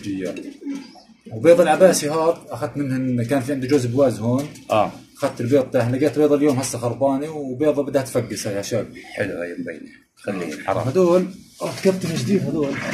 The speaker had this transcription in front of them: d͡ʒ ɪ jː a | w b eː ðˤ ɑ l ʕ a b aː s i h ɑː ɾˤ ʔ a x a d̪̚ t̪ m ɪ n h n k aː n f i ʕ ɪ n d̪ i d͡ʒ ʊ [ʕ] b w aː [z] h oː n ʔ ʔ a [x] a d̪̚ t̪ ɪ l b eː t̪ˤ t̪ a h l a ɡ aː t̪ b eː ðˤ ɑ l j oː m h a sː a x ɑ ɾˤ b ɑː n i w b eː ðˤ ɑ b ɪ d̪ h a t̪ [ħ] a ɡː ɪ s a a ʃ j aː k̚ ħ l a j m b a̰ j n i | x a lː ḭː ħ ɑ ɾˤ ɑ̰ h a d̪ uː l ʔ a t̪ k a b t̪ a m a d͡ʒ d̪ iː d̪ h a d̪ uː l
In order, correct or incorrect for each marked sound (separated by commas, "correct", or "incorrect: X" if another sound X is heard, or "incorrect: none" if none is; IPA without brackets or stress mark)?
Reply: incorrect: z, correct, correct, incorrect: f